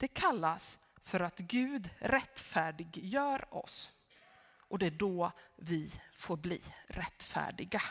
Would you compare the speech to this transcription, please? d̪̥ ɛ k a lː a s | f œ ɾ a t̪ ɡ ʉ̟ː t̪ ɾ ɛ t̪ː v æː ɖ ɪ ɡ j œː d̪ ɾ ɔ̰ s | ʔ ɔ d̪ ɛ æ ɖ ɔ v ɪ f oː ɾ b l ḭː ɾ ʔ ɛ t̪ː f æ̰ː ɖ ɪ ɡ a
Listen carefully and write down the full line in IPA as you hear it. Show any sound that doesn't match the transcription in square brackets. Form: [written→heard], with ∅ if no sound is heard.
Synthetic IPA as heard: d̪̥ ɛ [k→kʰ] a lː a s | f œ ɾ a t̪ ɡ ʉ̟ː [t̪→d̪] ɾ ɛ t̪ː [v→f] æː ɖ ɪ ɡ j œː [d̪→∅] ɾ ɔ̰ s | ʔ ɔ d̪ ɛ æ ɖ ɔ v ɪ f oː ɾ b l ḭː ɾ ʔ ɛ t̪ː f æ̰ː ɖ ɪ ɡ a